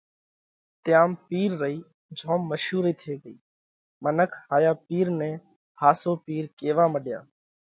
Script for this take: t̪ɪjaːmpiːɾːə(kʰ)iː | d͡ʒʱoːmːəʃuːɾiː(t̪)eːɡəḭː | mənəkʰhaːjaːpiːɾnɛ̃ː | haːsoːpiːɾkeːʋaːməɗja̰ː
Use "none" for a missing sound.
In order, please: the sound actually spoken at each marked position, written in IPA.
none, t̪ʰ

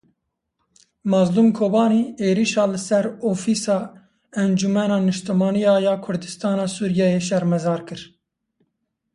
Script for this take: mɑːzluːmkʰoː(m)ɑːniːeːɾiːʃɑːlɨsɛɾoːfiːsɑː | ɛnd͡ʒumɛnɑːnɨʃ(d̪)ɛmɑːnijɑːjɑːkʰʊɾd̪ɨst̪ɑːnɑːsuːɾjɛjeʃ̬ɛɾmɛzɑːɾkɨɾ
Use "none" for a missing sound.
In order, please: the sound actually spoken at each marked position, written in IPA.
b, t̪

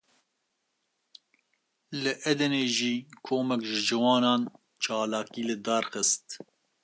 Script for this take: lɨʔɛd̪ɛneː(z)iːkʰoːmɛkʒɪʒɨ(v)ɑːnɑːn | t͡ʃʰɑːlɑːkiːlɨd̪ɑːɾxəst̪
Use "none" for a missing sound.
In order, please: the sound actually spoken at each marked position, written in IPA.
ʒ, w

